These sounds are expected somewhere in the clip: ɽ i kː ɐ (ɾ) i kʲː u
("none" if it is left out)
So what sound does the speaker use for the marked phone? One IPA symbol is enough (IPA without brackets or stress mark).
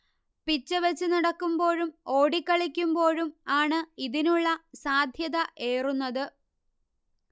ɭ